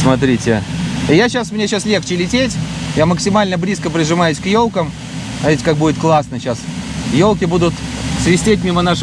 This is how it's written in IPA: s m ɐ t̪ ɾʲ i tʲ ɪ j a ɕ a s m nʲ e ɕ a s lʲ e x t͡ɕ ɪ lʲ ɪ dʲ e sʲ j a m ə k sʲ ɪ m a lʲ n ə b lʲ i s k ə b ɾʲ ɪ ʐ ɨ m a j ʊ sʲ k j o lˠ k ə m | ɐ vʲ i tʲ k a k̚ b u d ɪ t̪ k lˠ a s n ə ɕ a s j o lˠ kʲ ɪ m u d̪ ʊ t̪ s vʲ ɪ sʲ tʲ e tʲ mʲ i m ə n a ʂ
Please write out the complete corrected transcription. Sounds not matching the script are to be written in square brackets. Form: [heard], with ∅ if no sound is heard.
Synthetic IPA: s m ɐ t̪ ɾʲ i tʲ ɪ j a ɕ a s m nʲ e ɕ a s lʲ e x t͡ɕ ɪ lʲ ɪ [tʲ] e [tʲ] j a m ə k sʲ ɪ m a lʲ n ə b lʲ i s k ə [p] ɾʲ ɪ ʐ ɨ m a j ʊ sʲ k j o lˠ k ə m | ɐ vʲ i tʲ k a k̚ b u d ɪ t̪ k lˠ a s n ə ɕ a s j o lˠ kʲ ɪ [b] u d̪ ʊ t̪ s vʲ ɪ sʲ tʲ e tʲ mʲ i m ə n a ʂ